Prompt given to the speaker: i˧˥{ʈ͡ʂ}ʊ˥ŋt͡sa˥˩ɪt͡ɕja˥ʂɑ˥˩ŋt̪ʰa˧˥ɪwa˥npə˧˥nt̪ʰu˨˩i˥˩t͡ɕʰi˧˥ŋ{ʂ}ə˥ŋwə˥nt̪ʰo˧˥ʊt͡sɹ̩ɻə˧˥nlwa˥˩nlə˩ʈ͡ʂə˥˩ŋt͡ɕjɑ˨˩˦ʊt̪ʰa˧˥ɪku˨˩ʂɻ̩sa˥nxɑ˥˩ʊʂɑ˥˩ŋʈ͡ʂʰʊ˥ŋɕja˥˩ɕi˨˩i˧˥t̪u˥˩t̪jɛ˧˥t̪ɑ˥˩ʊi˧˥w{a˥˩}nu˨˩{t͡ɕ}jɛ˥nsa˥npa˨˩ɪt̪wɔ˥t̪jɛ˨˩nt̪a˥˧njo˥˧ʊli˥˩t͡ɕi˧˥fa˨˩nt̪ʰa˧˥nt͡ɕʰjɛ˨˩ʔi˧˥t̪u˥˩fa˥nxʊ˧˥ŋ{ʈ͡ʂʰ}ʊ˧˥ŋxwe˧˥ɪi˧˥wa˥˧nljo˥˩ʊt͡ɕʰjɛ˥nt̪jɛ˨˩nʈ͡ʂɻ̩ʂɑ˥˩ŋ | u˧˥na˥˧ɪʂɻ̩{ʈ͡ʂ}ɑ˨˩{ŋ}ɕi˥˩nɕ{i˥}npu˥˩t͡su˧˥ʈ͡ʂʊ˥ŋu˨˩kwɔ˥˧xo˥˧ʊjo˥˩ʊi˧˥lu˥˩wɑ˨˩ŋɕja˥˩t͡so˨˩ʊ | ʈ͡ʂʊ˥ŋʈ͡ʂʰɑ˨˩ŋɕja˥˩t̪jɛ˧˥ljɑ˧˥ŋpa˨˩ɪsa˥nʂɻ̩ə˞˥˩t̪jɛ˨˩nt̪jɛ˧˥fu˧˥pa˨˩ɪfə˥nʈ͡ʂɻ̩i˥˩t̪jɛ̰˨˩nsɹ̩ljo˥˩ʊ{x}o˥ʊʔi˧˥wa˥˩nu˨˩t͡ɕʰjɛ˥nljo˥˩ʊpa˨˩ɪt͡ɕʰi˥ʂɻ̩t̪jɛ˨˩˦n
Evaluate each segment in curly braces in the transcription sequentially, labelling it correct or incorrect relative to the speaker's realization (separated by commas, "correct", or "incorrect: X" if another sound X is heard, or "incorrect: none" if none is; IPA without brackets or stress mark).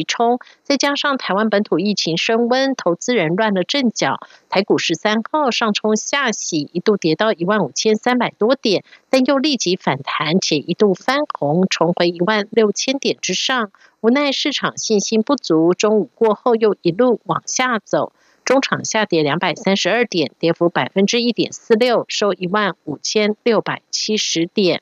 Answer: incorrect: ʈ͡ʂʰ, correct, correct, incorrect: t͡ɕʰ, correct, incorrect: ʈ͡ʂʰ, correct, correct, incorrect: ʂ